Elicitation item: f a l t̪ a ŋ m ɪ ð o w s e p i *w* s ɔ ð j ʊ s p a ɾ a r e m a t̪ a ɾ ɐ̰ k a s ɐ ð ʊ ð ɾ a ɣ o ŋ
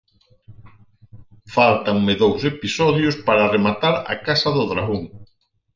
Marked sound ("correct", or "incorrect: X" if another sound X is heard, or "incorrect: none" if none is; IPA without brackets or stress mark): incorrect: none